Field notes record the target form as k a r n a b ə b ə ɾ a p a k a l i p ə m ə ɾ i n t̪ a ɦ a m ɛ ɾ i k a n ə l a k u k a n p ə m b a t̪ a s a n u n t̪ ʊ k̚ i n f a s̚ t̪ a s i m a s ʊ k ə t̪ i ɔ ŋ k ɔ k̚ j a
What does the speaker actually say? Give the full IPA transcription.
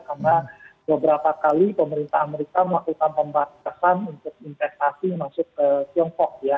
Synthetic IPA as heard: k a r n a b ə b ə ɾ a p a k a l i p ə m ə ɾ i n t̪ a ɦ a m e ɾ i k a m ə l a k u k a n p ə m b a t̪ a s a n u n t̪ ʊ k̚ i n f ɛ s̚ t̪ a s i m a s ʊ k ə t̪ i ɔ ŋ k ɔ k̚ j a